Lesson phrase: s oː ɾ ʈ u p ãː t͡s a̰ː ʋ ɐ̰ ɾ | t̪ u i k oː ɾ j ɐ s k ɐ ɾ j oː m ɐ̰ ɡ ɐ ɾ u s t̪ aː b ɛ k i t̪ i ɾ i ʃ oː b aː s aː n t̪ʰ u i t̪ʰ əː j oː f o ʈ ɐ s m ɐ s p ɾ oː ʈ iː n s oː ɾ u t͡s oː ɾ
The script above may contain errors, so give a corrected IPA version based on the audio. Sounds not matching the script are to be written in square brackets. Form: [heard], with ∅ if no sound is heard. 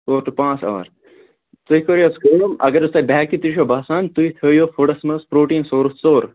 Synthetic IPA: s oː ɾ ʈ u p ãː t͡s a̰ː ʋ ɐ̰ ɾ | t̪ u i k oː ɾ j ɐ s k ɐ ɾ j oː m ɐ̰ ɡ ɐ ɾ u s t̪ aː b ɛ k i t̪ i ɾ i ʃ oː b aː s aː n [t̪] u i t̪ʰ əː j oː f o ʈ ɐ s m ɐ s p ɾ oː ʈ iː n s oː ɾ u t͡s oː ɾ